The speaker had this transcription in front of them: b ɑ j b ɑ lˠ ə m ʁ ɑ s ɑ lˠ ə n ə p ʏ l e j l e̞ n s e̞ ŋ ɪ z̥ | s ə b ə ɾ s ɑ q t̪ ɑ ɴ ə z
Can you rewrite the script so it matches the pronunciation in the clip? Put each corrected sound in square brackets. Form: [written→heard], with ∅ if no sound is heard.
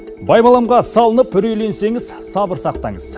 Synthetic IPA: b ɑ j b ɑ lˠ [ə→ɑ] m ʁ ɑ s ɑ lˠ ə n ə p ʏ [l→ɾ] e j l e̞ n s e̞ ŋ ɪ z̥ | s [ə→ɑ] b ə ɾ s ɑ q t̪ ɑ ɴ ə z